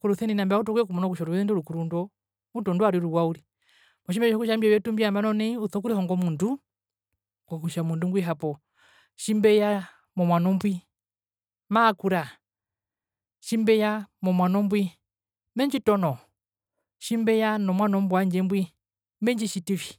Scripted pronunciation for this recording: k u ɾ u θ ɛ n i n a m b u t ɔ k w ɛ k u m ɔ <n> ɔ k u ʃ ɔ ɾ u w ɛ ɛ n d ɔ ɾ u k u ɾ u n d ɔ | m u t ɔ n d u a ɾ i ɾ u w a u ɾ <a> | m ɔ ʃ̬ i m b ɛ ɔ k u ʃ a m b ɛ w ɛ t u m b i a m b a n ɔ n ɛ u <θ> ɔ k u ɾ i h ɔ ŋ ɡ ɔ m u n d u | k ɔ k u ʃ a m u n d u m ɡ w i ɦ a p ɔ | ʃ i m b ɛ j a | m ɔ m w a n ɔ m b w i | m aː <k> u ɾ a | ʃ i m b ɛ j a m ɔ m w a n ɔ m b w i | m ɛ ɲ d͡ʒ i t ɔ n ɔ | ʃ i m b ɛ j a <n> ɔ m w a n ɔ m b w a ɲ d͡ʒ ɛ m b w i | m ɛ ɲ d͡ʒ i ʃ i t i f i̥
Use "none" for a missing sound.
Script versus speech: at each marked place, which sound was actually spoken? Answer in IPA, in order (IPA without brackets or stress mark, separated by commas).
n, i, θ, k, n